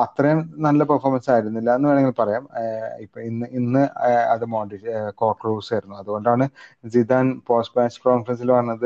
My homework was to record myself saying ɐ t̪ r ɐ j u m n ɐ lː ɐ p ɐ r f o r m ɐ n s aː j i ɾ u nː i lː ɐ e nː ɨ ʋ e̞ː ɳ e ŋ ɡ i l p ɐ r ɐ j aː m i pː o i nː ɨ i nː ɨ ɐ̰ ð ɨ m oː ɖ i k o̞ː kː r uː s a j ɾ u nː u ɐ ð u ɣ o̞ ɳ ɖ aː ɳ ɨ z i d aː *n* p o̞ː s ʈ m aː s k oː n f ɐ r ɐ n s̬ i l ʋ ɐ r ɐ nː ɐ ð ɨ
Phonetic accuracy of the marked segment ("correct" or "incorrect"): correct